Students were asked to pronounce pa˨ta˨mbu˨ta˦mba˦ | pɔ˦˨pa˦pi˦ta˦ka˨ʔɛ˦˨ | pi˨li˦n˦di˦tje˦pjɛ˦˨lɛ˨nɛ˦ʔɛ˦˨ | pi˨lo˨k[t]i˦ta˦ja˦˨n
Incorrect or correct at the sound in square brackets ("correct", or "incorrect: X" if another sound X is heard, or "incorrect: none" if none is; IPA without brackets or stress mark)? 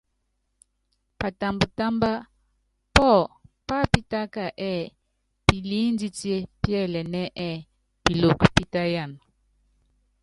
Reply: incorrect: p